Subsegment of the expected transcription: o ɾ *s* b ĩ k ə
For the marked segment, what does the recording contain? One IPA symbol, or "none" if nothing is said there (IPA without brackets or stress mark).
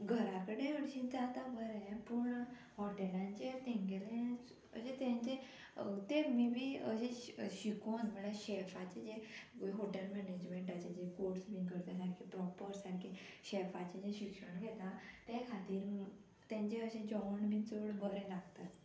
s